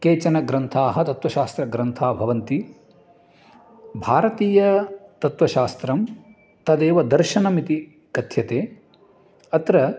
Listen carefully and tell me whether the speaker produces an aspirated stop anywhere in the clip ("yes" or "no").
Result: yes